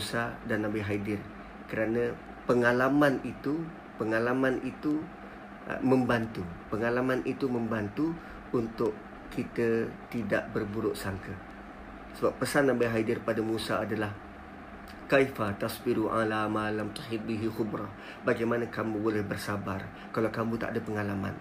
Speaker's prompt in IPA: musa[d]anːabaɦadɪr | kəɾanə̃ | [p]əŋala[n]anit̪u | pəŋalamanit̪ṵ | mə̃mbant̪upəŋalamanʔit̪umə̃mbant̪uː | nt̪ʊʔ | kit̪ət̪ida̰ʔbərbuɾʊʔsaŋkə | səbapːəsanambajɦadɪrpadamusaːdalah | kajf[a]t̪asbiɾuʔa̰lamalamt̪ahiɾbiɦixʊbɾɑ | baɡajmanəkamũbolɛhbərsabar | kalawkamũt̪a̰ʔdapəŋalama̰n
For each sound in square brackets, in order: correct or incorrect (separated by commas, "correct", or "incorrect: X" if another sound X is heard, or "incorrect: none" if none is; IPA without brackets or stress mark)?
correct, correct, incorrect: m, correct